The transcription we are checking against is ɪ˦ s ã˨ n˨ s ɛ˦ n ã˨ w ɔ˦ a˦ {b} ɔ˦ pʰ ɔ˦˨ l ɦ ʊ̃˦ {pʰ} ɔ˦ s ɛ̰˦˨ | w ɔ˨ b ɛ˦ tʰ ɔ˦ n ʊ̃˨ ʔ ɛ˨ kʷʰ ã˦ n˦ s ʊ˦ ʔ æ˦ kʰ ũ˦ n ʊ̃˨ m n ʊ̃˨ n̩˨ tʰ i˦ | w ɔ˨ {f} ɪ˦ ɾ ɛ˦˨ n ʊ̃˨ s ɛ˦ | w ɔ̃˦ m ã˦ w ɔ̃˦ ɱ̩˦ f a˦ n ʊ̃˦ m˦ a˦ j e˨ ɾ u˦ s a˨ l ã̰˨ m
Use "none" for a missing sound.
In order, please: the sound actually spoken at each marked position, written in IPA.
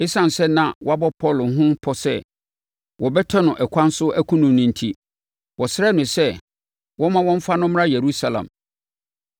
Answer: b, pʰ, s

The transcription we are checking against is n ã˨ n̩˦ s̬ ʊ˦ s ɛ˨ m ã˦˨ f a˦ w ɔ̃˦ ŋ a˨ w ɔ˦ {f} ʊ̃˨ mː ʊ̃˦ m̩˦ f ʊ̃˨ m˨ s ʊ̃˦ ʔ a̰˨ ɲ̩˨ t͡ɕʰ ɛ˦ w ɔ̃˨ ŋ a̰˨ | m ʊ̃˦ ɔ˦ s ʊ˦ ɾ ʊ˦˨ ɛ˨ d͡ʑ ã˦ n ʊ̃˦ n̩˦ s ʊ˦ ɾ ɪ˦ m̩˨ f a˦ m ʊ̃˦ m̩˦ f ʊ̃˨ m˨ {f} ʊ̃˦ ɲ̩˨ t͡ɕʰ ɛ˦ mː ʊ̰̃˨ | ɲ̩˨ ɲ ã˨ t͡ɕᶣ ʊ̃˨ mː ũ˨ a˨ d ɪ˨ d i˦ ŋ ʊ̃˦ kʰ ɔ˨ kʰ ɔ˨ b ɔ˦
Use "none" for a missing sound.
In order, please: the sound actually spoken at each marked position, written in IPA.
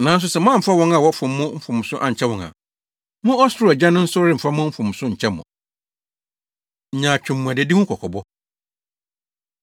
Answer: f, s

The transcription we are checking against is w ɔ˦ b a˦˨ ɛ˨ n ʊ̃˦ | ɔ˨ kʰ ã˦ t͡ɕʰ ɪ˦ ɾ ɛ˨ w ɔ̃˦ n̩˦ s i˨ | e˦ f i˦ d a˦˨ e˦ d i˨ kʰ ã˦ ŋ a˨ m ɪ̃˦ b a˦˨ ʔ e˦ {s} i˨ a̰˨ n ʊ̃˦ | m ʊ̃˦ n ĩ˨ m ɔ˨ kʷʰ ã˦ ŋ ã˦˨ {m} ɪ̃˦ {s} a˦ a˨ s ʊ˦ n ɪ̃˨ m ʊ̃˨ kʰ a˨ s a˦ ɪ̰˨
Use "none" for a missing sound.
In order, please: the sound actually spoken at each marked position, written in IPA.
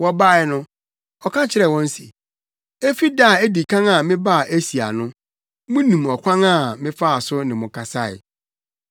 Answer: s, m, f

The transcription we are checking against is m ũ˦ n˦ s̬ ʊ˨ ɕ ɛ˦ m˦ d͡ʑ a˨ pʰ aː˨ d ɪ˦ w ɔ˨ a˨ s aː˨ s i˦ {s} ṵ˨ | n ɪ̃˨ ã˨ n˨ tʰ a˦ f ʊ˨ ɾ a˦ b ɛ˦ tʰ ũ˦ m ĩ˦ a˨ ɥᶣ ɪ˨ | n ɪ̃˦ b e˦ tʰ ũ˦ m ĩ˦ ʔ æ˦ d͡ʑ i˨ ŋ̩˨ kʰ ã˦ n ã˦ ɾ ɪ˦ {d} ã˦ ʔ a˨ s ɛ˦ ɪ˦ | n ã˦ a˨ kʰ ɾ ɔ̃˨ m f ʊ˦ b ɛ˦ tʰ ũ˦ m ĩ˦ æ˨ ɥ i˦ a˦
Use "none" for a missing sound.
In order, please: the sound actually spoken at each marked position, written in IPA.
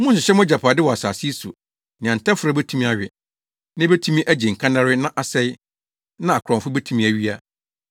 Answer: s, n

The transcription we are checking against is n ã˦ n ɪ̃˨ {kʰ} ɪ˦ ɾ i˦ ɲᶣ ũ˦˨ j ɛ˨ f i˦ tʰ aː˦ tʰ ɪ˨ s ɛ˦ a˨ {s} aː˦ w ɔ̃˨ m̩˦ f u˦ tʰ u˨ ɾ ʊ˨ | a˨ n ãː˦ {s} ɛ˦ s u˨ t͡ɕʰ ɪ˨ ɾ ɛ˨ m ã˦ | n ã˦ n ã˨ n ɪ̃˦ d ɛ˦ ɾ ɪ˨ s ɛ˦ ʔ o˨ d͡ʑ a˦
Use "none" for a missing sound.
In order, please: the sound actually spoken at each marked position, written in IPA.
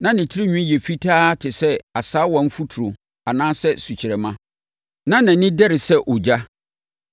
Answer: tʰ, s, s

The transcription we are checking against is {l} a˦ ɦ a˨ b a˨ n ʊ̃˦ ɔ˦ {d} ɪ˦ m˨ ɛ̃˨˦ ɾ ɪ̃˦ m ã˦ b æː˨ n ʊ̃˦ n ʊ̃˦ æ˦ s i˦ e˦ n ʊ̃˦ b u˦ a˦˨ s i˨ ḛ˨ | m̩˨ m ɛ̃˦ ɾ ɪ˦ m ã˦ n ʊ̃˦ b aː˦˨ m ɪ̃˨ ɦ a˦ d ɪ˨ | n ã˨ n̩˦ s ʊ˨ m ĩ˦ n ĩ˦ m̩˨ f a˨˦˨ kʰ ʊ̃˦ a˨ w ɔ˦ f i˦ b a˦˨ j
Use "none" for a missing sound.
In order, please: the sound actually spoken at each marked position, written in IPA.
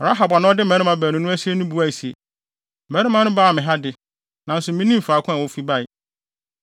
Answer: ɾ, d

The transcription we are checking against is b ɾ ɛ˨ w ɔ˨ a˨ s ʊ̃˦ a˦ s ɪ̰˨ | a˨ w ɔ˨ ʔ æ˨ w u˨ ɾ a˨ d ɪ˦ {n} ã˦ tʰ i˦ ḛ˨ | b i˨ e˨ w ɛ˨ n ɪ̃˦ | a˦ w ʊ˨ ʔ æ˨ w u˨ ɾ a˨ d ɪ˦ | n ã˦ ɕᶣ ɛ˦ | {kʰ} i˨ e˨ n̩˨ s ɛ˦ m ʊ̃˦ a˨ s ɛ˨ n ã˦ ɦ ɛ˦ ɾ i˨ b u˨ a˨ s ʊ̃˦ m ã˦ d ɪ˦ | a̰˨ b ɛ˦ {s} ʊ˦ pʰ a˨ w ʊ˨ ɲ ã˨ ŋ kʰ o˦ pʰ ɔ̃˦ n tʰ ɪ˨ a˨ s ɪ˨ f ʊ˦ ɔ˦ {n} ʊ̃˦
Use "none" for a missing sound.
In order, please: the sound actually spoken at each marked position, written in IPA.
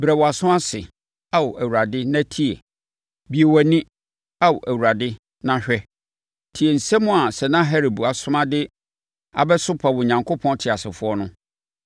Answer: n, tʰ, s, n

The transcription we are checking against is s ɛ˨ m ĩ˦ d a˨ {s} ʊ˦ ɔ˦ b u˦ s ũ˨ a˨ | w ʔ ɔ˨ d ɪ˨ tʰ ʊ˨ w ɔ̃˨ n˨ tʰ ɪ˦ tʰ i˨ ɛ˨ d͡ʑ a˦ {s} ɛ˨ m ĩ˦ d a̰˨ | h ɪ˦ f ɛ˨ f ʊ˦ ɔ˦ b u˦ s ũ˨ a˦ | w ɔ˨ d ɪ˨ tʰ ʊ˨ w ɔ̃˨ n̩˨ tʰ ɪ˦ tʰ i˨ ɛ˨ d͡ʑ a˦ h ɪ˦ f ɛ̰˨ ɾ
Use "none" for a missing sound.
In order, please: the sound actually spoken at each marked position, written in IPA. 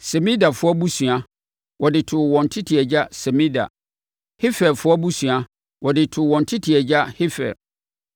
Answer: f, s

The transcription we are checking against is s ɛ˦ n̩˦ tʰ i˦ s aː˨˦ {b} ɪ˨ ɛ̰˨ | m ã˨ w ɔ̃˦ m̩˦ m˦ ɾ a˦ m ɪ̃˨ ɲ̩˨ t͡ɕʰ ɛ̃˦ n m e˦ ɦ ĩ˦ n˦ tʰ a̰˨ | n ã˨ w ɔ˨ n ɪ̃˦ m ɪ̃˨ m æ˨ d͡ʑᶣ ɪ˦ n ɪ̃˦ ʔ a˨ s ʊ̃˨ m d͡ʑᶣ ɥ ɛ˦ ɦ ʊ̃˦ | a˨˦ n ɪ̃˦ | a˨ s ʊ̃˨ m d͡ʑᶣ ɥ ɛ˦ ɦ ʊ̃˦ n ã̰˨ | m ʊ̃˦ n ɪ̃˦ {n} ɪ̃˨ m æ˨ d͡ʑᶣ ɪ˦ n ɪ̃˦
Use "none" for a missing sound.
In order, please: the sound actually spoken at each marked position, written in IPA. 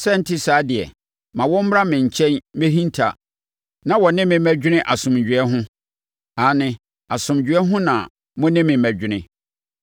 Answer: d, m

